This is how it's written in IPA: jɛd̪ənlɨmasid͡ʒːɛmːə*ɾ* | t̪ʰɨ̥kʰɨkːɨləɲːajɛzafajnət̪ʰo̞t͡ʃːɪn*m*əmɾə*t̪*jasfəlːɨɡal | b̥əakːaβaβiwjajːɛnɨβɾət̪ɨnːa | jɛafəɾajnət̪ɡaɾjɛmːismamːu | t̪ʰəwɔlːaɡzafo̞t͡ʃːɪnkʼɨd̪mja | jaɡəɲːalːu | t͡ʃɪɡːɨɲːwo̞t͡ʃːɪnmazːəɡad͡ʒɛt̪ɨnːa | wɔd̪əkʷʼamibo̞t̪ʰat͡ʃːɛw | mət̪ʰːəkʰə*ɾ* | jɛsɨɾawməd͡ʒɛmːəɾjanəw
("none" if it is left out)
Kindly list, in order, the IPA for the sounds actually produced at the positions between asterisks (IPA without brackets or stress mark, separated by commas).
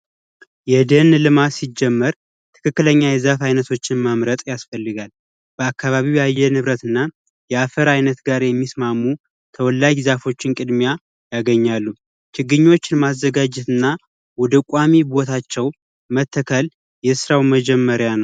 ɾ, m, t̪ʼ, l